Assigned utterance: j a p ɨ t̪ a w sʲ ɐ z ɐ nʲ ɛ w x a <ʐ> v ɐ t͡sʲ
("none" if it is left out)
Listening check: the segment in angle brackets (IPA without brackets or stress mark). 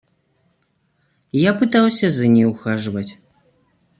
ʐ